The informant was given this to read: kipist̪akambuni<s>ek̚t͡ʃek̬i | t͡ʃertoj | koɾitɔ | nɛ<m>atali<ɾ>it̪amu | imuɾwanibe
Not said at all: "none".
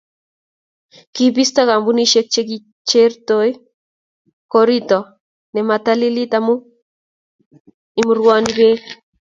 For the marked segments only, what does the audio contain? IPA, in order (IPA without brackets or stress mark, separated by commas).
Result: ʃ, m, l